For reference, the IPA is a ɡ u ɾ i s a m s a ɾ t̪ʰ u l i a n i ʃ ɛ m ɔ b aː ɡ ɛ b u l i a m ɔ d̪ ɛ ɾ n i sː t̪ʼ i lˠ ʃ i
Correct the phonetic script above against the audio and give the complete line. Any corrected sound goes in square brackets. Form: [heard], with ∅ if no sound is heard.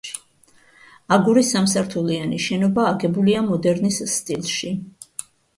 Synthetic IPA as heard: a ɡ u ɾ i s a m s a ɾ t̪ʰ u l i a n i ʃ ɛ [n] ɔ b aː ɡ ɛ b u l i a m ɔ d̪ ɛ ɾ n i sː t̪ʼ i lˠ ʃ i